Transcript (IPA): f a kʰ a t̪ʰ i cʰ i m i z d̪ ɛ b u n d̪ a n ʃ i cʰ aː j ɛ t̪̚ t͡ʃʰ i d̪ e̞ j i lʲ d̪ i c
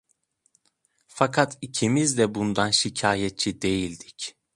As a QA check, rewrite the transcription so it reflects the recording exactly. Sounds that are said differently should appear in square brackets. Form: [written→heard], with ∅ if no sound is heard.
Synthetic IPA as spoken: f a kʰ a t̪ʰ i cʰ i m i z d̪ ɛ b u n d̪ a n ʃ i cʰ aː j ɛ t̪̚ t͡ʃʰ i d̪ e̞ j i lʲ d̪ i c